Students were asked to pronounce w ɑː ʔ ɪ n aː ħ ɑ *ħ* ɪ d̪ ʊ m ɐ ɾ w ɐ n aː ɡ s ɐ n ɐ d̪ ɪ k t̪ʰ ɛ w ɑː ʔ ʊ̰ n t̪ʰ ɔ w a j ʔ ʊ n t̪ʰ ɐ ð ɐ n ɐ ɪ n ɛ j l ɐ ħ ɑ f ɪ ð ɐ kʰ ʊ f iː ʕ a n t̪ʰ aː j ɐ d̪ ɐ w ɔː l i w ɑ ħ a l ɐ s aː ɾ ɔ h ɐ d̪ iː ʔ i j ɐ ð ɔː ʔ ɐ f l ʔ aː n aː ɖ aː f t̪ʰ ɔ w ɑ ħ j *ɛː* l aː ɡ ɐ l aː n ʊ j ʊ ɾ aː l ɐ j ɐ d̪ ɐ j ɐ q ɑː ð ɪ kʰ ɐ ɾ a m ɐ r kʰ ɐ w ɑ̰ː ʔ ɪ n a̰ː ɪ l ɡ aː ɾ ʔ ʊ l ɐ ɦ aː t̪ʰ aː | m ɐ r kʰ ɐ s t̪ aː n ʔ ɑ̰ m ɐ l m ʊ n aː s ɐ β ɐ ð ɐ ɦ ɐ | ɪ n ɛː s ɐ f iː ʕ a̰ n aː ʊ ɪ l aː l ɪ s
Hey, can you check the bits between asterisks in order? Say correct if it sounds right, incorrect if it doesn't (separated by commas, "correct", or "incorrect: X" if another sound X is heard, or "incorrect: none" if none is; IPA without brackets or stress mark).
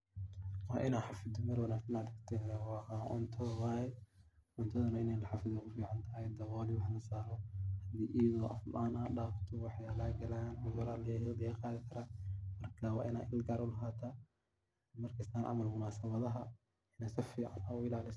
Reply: incorrect: f, incorrect: aː